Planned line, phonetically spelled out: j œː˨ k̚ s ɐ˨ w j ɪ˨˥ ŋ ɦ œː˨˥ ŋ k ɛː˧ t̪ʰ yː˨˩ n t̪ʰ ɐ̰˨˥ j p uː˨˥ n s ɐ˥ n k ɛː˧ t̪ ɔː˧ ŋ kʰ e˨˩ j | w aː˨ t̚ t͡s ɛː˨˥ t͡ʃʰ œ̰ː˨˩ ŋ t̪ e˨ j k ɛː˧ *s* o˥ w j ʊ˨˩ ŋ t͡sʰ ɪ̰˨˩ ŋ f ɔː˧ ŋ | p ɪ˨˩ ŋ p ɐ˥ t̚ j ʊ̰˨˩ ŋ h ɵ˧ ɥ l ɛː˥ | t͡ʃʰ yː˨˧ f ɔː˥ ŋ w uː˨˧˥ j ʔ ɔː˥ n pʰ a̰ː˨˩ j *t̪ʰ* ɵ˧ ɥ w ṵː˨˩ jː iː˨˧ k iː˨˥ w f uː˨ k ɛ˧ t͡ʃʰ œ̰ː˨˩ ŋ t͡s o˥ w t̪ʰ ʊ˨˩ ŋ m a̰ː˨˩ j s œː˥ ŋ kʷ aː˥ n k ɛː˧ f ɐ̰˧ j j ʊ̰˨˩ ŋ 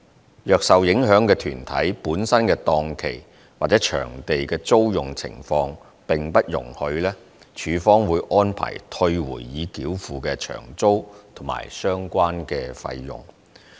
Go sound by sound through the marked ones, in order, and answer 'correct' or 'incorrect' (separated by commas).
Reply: incorrect, correct